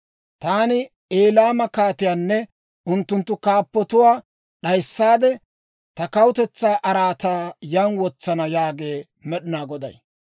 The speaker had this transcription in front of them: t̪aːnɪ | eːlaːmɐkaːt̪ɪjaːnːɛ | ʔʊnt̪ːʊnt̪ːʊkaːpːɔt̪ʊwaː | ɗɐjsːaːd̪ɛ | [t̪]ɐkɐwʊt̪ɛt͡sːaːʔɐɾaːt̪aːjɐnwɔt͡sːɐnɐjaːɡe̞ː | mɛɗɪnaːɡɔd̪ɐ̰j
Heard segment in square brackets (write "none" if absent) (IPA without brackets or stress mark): t̪